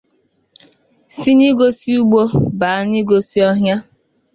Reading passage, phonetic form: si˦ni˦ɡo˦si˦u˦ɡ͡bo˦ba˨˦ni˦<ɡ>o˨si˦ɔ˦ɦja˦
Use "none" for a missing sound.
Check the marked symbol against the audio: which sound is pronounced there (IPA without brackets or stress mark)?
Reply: ɡ